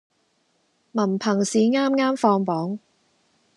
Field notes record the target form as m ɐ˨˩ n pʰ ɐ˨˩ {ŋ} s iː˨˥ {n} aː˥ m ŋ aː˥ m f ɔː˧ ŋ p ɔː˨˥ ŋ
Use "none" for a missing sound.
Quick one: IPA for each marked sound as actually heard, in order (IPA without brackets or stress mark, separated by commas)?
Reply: ŋ, ŋ